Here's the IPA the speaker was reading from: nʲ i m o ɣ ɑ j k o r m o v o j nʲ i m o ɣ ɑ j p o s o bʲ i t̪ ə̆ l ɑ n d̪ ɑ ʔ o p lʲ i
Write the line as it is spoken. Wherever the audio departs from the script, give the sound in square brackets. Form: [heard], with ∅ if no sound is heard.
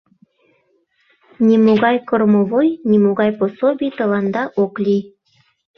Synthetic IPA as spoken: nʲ i m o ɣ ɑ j k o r m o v o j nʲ i m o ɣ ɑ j p o s o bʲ i t̪ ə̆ l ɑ n d̪ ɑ ʔ o [k] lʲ i